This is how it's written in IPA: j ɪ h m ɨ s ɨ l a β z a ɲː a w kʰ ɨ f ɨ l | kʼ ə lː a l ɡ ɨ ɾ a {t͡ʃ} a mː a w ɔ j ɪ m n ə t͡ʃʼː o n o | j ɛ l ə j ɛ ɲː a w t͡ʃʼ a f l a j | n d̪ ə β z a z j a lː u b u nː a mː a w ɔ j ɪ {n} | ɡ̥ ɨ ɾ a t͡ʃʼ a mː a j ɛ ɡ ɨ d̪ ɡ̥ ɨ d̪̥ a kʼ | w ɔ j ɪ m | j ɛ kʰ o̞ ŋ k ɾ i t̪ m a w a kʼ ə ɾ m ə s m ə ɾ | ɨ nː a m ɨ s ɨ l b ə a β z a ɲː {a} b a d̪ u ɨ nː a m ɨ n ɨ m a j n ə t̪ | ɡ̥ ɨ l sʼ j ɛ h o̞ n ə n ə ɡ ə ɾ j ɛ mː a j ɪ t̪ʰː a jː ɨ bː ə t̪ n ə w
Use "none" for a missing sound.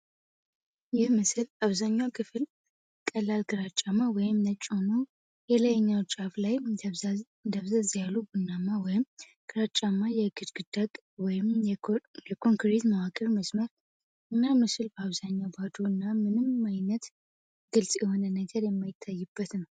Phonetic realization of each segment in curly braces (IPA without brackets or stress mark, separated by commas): t͡ʃʼ, m, a